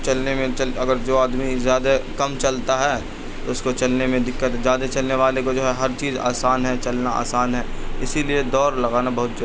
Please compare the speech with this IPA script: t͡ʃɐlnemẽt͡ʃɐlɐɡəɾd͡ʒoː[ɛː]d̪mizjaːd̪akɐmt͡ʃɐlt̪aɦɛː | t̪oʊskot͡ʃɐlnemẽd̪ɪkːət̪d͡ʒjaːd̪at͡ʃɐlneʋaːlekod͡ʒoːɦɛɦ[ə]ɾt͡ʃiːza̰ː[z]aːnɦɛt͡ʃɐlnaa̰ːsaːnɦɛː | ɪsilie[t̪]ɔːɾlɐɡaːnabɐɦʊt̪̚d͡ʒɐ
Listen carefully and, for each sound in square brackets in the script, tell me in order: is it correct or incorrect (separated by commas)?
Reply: incorrect, incorrect, incorrect, incorrect